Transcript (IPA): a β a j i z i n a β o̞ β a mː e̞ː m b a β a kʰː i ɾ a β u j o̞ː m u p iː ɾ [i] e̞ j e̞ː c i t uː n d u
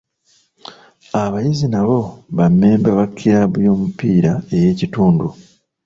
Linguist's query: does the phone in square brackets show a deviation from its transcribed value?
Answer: yes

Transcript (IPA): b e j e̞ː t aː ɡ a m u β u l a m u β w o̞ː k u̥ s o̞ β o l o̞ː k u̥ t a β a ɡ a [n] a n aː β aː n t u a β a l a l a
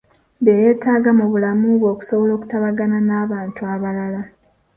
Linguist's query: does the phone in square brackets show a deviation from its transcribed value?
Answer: no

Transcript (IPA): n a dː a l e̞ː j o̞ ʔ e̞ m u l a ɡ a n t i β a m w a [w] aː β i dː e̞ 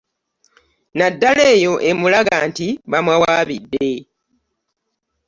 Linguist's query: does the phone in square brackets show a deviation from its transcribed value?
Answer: no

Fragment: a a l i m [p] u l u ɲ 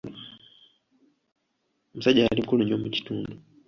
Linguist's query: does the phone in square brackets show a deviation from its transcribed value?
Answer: yes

